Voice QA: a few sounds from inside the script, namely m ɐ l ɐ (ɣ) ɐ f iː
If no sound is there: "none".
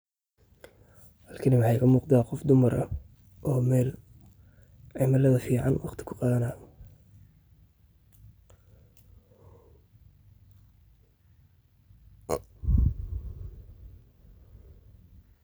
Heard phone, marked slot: ð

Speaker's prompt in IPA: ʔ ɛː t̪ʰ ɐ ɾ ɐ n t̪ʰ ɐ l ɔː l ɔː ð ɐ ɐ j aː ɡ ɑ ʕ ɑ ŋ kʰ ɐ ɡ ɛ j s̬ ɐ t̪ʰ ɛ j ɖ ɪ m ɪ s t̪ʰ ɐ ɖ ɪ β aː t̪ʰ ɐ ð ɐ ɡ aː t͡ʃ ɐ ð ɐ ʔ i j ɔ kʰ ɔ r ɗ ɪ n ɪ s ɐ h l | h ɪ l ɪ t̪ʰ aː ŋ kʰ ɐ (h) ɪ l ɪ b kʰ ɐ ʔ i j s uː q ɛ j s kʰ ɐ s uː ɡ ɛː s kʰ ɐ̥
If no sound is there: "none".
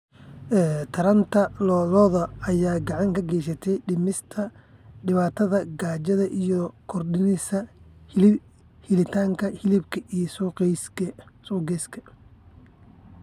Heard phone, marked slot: h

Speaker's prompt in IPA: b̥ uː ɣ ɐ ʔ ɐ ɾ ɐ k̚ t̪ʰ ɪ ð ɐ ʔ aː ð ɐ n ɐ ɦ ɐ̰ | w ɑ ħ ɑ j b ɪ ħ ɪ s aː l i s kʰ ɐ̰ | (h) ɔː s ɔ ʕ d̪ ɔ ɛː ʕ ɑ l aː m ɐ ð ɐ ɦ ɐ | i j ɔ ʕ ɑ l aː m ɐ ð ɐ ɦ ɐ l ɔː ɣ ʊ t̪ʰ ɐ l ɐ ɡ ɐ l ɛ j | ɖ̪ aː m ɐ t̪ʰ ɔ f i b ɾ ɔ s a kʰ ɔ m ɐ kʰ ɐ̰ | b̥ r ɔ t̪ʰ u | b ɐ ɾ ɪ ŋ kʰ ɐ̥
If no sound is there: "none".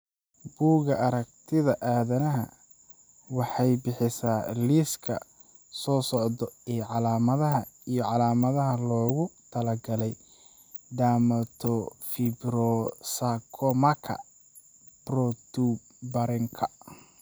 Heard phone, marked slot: s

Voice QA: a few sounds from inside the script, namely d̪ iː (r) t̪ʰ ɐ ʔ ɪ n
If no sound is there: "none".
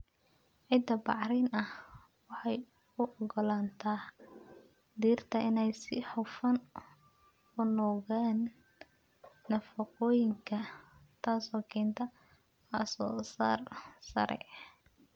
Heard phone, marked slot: r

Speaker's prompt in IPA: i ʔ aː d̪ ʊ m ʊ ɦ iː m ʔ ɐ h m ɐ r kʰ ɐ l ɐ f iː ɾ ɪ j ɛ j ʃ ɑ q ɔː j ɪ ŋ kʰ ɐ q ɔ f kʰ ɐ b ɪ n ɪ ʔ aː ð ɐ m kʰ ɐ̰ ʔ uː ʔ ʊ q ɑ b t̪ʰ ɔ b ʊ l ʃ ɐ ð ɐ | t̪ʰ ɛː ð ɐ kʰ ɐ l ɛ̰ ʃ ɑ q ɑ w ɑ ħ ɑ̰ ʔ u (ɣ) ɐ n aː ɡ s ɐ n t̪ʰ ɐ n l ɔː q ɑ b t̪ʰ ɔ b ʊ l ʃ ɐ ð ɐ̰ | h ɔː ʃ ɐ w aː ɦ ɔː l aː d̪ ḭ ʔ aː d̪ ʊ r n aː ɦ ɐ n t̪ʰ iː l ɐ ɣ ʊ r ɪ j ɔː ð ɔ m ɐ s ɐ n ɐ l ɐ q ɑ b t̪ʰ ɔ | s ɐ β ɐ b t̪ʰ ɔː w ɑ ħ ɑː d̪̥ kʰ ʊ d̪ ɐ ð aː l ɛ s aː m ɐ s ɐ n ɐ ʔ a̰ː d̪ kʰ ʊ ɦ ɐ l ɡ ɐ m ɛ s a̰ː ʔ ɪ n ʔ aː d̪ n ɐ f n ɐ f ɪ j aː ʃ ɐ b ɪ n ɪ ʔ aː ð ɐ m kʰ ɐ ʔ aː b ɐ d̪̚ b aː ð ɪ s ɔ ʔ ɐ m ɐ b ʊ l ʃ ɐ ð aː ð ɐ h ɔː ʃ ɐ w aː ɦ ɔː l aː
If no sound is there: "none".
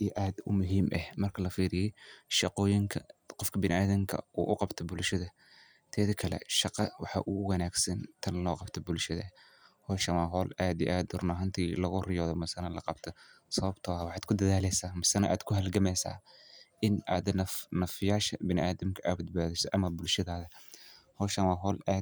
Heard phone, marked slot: w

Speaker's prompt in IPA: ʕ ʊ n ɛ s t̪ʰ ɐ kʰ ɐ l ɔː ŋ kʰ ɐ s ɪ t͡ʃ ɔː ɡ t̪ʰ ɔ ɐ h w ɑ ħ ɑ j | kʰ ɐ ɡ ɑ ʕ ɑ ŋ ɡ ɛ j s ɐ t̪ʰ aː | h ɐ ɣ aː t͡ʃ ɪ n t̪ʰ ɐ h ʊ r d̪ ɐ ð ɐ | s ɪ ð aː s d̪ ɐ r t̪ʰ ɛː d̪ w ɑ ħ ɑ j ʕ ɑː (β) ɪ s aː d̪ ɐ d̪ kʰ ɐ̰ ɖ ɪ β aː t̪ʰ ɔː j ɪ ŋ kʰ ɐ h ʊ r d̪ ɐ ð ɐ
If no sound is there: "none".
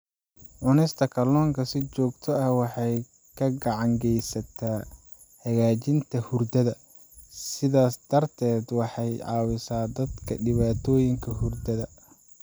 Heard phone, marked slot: w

